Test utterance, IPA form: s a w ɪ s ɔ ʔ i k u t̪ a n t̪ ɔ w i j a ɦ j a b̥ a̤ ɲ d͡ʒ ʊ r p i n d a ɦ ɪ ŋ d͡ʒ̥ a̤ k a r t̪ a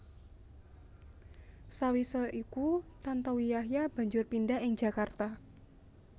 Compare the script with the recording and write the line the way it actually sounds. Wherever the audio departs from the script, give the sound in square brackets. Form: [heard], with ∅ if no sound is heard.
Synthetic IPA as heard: s a w [i] s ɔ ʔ i k u t̪ a n t̪ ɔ w i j a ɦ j a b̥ a̤ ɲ d͡ʒ ʊ r p i n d a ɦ ɪ ŋ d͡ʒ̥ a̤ k a r t̪ a